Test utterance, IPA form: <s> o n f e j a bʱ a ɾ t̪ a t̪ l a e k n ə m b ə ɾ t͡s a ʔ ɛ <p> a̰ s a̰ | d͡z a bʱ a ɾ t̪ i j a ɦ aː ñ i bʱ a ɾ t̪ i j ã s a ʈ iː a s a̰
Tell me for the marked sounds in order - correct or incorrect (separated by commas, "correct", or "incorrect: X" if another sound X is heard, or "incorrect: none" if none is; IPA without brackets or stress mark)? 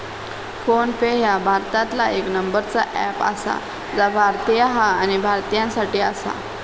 incorrect: f, correct